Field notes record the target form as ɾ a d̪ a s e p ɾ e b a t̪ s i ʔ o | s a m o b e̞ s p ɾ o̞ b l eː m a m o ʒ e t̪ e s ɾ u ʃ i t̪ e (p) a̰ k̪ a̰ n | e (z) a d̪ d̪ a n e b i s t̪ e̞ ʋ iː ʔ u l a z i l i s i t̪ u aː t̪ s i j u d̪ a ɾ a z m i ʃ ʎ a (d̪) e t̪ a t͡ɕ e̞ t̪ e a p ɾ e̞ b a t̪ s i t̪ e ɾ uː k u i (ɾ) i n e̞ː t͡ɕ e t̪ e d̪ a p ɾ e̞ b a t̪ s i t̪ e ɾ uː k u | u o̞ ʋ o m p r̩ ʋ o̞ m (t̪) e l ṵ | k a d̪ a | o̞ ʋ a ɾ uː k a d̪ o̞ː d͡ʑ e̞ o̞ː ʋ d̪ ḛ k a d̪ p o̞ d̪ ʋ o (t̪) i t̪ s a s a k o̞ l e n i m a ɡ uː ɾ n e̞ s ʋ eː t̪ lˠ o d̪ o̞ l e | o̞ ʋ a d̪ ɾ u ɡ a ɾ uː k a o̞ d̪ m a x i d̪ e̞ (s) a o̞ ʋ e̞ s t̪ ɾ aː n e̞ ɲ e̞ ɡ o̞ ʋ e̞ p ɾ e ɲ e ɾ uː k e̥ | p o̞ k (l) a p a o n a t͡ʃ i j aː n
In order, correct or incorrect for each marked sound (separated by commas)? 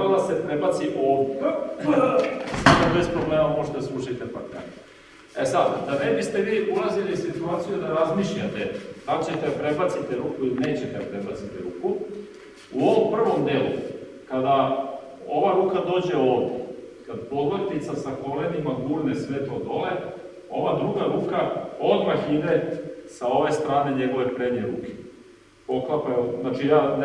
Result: correct, incorrect, incorrect, incorrect, incorrect, correct, correct, correct